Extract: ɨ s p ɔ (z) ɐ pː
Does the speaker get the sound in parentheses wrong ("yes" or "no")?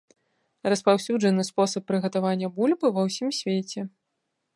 yes